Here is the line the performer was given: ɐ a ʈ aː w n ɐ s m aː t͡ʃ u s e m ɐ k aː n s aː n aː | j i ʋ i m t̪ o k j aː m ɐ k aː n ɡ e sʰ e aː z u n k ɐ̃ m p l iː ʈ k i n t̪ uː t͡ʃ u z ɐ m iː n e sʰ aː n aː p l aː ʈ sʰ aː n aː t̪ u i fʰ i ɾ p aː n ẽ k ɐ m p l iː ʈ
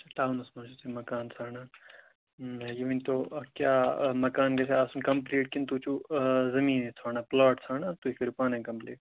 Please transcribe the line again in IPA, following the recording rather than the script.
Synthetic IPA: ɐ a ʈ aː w n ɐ s m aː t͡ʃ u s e m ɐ k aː n s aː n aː | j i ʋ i n t̪ o k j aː m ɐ k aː n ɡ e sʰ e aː s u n k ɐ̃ m p l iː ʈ k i n t̪ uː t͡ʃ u z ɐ m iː n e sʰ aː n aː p l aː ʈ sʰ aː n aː t̪ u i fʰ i ɾ p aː n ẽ k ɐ m p l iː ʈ